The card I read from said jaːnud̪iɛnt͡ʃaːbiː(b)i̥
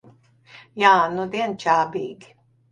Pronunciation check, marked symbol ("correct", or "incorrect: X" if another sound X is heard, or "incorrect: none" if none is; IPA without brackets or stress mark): incorrect: ɡ